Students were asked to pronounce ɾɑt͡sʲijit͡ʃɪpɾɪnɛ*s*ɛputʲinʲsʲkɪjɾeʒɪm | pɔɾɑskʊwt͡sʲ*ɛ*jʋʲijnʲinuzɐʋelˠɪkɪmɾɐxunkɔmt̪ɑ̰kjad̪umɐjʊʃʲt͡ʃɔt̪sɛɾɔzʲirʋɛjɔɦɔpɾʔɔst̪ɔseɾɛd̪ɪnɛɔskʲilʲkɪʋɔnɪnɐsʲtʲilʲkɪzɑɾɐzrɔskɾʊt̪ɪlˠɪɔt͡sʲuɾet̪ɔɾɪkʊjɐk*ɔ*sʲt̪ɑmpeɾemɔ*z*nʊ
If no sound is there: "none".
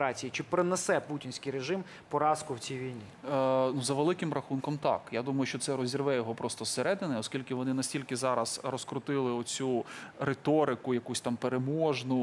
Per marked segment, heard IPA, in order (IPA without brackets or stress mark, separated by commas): s, i, u, ʒ